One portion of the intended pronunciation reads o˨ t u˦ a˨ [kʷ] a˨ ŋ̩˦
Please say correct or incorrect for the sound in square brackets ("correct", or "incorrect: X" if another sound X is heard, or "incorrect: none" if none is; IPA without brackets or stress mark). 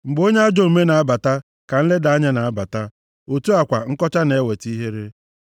correct